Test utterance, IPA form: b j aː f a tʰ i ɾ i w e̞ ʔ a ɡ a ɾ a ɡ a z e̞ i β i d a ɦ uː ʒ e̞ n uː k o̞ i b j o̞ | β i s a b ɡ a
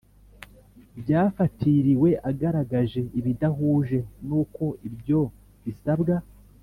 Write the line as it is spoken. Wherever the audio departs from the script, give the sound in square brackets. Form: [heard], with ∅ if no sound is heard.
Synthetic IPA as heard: b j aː f a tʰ i ɾ i w e̞ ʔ a ɡ a ɾ a ɡ a [ʒ] e̞ i β i d a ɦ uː ʒ e̞ n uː k o̞ i b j o̞ | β i s a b ɡ a